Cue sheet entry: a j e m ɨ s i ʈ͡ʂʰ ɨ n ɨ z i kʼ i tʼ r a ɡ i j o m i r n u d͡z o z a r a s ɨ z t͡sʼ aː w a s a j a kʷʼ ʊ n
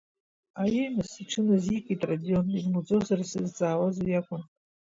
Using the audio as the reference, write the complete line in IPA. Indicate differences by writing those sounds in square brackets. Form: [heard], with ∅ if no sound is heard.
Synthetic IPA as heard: a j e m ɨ s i ʈ͡ʂʰ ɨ n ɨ z i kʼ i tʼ r a [d] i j o [n] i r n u d͡z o z a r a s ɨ z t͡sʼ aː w a [z] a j a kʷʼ ʊ n